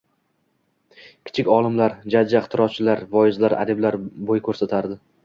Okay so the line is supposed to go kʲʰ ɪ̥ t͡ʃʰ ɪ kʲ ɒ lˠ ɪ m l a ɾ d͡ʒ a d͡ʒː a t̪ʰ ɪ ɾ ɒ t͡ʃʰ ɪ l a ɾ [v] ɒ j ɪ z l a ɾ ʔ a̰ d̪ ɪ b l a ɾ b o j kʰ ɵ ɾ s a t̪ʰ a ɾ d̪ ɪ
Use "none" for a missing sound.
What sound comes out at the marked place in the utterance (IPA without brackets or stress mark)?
v